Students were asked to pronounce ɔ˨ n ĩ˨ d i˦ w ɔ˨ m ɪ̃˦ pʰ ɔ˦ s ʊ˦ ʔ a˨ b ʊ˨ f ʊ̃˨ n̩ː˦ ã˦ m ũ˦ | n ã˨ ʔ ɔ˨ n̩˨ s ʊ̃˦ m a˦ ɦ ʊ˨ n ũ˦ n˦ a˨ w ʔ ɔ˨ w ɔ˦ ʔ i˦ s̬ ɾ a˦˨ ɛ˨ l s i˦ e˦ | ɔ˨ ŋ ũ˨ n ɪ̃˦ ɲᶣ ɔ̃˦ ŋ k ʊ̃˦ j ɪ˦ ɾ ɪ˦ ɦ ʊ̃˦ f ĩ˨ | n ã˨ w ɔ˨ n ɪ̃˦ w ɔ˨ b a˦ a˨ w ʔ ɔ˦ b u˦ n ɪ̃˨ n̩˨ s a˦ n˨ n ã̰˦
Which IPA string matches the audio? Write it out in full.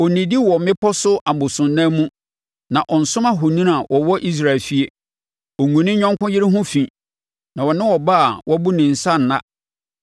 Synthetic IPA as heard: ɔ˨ n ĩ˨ d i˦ w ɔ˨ m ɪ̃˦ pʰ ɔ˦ s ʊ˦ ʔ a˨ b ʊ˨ s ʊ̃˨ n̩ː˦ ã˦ m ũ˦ | n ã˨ ʔ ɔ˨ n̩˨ s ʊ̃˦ m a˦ ɦ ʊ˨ n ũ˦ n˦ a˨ w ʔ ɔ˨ w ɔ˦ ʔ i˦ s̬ ɾ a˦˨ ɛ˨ l f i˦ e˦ | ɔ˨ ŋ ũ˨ n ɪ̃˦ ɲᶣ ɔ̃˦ ŋ k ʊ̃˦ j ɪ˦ ɾ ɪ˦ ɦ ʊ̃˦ f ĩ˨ | n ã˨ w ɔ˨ n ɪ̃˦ w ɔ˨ b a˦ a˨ w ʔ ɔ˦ b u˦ n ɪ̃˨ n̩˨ s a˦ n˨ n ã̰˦